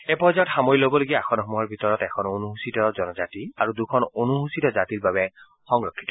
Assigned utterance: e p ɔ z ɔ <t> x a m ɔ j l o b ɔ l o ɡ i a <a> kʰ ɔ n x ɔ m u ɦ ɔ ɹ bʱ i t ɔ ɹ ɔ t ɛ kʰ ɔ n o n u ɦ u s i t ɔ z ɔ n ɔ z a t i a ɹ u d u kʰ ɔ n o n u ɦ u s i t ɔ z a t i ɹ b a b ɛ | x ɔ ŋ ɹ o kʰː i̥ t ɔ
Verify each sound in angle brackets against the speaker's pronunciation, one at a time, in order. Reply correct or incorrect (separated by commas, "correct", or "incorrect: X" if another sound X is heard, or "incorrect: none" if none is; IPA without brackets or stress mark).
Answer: correct, correct